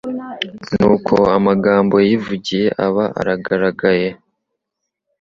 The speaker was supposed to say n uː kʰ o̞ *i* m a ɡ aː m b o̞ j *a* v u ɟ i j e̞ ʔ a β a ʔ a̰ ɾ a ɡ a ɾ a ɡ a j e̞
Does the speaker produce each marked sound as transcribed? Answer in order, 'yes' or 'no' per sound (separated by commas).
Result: no, no